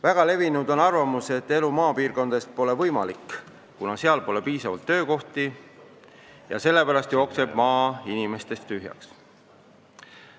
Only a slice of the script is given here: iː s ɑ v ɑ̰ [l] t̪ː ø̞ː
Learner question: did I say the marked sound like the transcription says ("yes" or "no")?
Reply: yes